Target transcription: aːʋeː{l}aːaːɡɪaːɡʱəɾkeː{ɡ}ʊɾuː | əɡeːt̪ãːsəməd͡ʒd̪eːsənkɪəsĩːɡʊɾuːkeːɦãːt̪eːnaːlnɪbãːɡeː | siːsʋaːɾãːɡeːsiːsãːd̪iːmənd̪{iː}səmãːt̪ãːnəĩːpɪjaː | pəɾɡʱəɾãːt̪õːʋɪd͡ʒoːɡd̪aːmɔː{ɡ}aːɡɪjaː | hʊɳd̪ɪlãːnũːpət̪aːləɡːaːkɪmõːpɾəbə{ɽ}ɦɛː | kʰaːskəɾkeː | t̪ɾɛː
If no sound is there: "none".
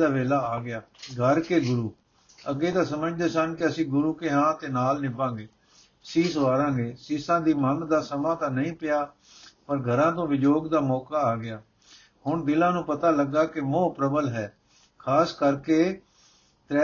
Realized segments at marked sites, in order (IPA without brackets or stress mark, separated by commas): l, ɡ, aː, k, l